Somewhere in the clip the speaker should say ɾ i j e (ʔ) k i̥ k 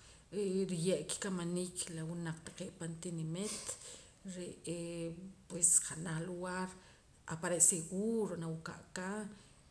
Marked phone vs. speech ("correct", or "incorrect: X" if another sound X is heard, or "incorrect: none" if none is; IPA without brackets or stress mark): correct